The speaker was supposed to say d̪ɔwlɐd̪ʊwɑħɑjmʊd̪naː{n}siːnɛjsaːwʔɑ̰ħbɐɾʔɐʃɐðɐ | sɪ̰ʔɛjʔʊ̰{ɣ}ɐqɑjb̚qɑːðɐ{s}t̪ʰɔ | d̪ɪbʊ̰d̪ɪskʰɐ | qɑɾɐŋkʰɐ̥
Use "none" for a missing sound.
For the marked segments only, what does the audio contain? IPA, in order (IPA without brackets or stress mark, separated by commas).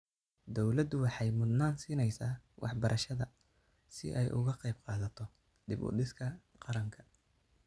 n, ɣ, none